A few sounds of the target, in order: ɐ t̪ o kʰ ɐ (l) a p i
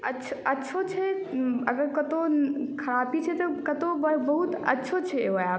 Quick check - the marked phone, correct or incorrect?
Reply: incorrect: ɾ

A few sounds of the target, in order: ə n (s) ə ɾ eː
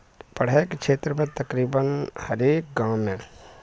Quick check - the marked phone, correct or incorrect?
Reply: incorrect: h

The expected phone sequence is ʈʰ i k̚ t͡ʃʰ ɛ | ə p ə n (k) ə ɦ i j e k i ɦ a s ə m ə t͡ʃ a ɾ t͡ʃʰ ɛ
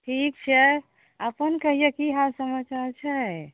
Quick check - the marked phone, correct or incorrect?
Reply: correct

